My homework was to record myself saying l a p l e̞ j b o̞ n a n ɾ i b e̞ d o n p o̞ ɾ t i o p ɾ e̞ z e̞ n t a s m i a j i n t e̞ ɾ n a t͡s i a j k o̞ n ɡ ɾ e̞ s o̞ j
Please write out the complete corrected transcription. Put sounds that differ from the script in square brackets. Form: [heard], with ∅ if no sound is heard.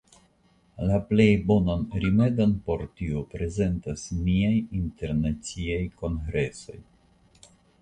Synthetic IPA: l a p l e̞ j b o̞ n a n ɾ i [m] e̞ d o n p o̞ ɾ t i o p ɾ e̞ z e̞ n t a s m i a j i n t e̞ ɾ n a t͡s i a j k o̞ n ɡ ɾ e̞ s o̞ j